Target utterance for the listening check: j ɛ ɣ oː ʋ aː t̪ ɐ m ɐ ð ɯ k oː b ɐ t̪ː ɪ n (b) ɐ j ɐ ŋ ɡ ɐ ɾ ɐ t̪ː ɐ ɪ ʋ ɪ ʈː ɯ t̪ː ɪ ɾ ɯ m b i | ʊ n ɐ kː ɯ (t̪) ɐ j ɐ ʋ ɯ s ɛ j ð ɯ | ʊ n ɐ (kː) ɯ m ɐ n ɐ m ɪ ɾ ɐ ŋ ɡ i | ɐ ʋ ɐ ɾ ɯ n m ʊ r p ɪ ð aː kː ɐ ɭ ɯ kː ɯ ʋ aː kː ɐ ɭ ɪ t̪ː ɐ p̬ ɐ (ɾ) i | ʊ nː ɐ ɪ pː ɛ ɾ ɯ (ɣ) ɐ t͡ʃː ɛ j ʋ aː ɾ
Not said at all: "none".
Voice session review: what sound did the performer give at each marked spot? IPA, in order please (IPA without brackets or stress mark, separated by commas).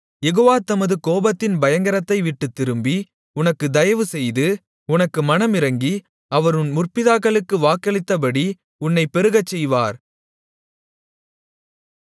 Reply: b, d̪, kː, ɽ, ɣ